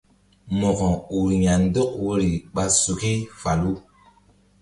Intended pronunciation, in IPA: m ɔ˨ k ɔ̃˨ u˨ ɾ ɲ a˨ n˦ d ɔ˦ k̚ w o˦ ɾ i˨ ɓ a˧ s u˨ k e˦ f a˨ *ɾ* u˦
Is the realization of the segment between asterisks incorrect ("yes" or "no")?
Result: yes